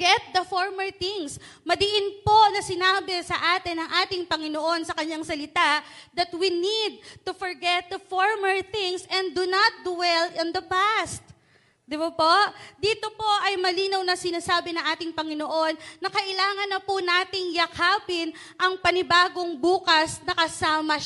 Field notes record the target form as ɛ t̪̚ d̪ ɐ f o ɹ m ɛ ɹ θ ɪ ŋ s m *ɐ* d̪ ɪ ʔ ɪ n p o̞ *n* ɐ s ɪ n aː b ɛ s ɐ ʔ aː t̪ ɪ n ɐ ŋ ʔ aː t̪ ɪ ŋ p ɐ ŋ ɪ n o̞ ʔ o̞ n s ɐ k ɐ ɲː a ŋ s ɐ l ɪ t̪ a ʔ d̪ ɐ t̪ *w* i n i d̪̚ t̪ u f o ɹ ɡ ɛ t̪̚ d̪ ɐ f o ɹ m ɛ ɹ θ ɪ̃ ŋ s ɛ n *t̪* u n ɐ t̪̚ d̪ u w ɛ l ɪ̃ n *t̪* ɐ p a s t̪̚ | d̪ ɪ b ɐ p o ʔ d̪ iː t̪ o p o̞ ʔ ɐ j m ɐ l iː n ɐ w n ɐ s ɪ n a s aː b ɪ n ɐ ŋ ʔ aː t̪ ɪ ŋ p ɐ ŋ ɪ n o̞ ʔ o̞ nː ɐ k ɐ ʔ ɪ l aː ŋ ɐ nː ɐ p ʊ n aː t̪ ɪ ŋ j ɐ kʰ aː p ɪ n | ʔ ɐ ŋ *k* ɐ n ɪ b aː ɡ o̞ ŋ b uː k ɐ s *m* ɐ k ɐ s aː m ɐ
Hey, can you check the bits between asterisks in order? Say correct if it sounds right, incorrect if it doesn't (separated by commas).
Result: correct, correct, correct, incorrect, incorrect, incorrect, incorrect